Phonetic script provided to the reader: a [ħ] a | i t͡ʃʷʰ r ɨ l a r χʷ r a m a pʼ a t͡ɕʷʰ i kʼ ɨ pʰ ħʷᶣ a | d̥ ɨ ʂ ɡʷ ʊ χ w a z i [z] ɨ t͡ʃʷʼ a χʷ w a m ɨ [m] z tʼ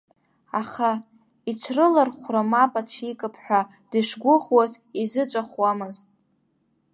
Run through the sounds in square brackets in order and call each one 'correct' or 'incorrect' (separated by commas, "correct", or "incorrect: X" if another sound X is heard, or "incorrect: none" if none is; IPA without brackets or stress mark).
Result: incorrect: χ, correct, incorrect: none